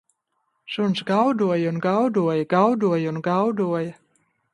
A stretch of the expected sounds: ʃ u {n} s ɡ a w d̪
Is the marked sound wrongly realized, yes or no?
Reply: no